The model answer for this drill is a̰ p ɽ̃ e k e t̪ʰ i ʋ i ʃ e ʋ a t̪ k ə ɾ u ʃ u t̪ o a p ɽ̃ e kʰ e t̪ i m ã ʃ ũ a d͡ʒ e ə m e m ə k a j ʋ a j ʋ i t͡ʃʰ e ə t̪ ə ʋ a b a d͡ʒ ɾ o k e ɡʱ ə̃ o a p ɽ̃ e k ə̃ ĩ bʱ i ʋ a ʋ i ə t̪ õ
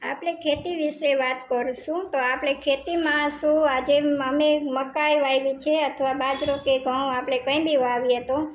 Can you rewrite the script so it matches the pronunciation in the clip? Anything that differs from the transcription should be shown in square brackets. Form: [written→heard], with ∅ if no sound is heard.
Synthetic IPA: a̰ p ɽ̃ e [k→kʰ] e [t̪ʰ→t̪] i ʋ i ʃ e ʋ a t̪ k ə ɾ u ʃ [u→ũ] t̪ o a p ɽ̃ e kʰ e t̪ i m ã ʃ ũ a d͡ʒ e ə m e m ə k a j ʋ a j ʋ i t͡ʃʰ e ə [t̪→t̪ʰ] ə ʋ a b a d͡ʒ ɾ o k e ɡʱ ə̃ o a p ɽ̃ e k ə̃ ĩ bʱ i ʋ a ʋ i ə t̪ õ

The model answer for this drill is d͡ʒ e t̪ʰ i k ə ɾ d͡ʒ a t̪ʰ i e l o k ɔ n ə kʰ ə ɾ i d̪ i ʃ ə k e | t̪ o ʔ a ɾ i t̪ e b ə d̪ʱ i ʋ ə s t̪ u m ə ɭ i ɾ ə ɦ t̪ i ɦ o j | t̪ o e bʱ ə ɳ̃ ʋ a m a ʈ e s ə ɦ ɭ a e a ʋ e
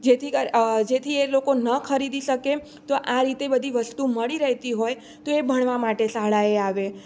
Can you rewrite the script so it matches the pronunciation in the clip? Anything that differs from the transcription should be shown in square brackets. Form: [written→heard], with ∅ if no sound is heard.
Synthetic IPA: d͡ʒ e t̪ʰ i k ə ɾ d͡ʒ [a→e] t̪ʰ i e l o k [ɔ→o] n ə kʰ ə ɾ i d̪ i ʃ ə k e | t̪ o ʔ a ɾ i t̪ e b ə d̪ʱ i ʋ ə s t̪ u m ə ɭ i ɾ ə ɦ t̪ i ɦ o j | t̪ o e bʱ ə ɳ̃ ʋ a m a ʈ e s [ə→a] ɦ ɭ a e a ʋ e

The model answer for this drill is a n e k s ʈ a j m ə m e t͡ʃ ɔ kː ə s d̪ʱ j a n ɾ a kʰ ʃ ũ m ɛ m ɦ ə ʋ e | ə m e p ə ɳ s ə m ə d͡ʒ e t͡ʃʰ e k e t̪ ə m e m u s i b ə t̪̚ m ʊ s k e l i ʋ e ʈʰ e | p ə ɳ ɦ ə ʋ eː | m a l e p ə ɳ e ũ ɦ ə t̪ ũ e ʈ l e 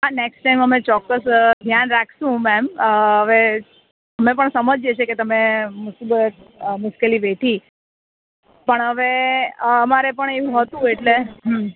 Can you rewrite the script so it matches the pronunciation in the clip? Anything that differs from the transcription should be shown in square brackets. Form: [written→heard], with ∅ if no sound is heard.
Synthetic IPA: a n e k s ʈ a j m ə m e t͡ʃ ɔ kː ə s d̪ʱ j a n ɾ a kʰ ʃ ũ m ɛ m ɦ ə ʋ e | ə m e p ə ɳ s ə m ə d͡ʒ e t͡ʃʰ e k e t̪ ə m e m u s i b ə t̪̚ m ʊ s k e l i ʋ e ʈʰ [e→i] | p ə ɳ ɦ ə ʋ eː | m a [l→ɾ] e p ə ɳ e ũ ɦ ə t̪ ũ e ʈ l e

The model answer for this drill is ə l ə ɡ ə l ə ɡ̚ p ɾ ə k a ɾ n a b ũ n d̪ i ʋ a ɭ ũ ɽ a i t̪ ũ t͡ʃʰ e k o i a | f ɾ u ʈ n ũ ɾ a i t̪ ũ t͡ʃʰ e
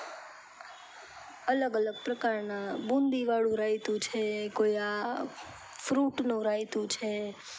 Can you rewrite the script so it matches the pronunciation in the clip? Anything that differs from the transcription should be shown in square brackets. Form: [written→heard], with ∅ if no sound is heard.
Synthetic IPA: ə l ə ɡ ə l ə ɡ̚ p ɾ ə k a ɾ n a b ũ n d̪ i ʋ a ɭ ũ [ɽ→ɾ] a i t̪ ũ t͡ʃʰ e k o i a | f ɾ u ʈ n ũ ɾ a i t̪ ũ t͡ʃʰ e

